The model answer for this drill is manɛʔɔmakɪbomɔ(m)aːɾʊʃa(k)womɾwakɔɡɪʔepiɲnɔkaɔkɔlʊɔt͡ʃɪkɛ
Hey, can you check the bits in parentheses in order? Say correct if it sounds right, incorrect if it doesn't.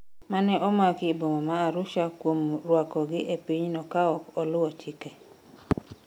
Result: correct, correct

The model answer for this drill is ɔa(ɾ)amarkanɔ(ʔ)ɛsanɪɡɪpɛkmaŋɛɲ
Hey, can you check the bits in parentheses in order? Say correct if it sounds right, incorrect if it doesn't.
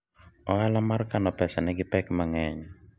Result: incorrect, incorrect

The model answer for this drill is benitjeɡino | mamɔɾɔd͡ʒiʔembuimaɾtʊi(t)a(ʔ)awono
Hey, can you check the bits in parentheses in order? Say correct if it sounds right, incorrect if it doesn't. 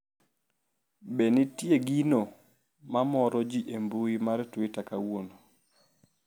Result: correct, incorrect

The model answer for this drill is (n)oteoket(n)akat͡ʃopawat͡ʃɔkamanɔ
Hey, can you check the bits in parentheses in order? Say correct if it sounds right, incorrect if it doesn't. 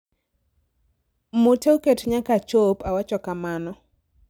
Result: incorrect, incorrect

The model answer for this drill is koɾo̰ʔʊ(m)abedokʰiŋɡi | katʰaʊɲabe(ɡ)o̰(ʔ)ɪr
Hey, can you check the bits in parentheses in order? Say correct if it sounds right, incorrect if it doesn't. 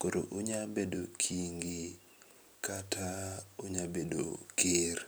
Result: incorrect, incorrect, incorrect

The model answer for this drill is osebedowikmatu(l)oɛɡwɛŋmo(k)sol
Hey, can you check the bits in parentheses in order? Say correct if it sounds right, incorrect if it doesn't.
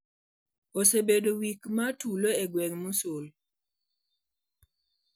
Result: correct, incorrect

